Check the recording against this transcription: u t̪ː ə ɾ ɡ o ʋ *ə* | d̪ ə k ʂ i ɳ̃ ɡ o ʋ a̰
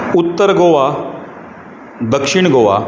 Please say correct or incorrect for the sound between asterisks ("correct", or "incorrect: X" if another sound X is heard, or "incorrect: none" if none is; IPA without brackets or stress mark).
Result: incorrect: a